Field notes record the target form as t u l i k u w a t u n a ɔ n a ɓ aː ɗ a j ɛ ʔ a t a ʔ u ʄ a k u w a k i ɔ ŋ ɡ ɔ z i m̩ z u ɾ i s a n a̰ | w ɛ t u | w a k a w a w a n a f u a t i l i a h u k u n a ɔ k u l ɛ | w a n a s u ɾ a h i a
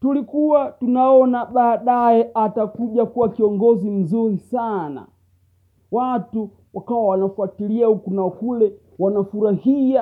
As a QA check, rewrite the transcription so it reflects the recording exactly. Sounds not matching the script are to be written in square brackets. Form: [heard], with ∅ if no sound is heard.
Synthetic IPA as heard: t u l i k u w a t u n a ɔ n a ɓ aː ɗ a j ɛ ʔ a t a [k] u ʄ a k u w a k i ɔ ŋ ɡ ɔ z i m̩ z u ɾ i s a n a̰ | w [a] t u | w a k a w a w a n a f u a t i l i a h u k u n a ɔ k u l ɛ | w a n a [f] u ɾ a h i a